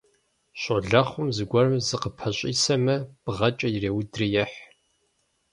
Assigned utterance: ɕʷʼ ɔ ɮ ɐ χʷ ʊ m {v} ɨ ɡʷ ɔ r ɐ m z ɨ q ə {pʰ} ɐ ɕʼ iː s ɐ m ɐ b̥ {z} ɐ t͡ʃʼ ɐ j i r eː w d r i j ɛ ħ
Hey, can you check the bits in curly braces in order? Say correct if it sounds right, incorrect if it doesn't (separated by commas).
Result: incorrect, correct, incorrect